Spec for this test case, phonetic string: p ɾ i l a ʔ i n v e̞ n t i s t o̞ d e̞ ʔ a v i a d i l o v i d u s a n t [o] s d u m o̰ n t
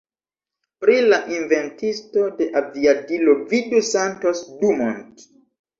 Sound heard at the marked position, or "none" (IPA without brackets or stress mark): o